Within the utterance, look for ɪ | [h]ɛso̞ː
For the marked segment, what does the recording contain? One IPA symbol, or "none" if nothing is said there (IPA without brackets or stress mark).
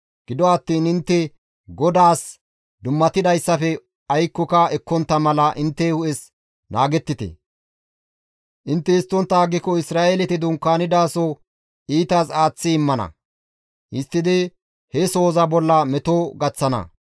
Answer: h